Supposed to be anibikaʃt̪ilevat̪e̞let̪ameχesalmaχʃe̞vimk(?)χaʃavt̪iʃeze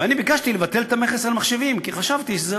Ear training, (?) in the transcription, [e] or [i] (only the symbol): i